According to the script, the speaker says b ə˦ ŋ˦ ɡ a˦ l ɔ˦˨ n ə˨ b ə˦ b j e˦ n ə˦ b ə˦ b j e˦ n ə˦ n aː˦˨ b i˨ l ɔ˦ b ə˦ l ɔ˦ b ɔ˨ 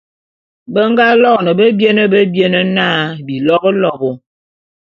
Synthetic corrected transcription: b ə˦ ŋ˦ ɡ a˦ l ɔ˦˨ n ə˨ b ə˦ b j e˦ n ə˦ b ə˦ b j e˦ n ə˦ n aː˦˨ b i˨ l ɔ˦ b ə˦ l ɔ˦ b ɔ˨